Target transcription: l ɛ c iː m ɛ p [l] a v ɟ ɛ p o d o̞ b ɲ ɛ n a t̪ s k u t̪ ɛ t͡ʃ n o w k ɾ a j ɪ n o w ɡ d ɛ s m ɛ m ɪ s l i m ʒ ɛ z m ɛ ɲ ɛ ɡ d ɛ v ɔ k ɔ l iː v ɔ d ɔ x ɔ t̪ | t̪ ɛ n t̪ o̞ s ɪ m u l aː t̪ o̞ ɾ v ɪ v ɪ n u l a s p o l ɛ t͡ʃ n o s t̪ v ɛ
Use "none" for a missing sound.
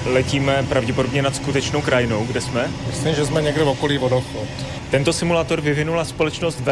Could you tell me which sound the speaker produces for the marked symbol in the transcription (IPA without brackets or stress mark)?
ɾ